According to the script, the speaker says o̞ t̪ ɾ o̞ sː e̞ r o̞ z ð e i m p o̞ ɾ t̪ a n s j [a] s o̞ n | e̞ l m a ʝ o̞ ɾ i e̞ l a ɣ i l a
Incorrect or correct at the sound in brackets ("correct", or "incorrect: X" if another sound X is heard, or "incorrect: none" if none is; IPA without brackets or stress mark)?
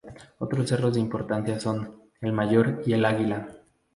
correct